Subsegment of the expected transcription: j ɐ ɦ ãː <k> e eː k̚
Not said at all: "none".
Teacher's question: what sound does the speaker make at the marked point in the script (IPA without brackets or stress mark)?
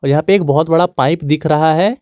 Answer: p